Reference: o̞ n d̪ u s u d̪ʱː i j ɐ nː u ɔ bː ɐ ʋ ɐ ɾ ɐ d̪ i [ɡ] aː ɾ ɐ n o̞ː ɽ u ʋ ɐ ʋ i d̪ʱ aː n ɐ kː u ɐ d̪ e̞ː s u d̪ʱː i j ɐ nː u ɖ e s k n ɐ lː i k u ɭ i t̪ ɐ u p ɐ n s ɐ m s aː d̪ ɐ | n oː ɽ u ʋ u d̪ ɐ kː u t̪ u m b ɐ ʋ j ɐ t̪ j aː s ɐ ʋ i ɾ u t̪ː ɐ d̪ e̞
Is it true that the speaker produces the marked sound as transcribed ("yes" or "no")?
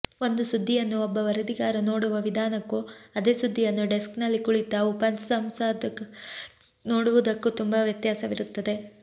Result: yes